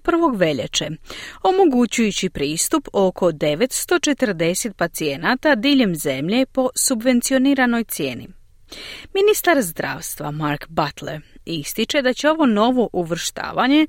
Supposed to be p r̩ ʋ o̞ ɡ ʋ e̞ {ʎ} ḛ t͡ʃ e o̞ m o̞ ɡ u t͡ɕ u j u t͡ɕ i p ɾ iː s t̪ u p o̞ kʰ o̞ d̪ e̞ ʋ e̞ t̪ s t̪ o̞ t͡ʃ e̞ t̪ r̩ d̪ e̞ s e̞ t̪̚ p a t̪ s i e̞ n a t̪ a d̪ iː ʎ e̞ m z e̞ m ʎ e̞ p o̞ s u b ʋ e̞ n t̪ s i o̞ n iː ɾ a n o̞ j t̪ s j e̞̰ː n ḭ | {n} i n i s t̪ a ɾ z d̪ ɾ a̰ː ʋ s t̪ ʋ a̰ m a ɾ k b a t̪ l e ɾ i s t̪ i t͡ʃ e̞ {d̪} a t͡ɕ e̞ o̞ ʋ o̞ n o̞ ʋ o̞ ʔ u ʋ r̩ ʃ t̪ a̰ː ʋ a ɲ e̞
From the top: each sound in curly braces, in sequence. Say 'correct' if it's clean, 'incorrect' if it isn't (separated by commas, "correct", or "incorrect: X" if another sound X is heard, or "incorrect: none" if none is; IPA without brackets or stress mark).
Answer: correct, incorrect: m, correct